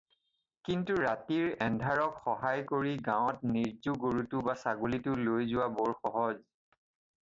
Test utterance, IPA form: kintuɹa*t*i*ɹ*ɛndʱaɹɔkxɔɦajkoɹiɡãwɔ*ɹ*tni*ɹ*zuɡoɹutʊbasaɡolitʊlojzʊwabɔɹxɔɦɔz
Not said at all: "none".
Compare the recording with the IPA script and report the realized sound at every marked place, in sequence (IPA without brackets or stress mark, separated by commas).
t, ɹ, none, ɹ